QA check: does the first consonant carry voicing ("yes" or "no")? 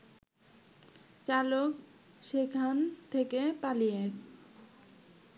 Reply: no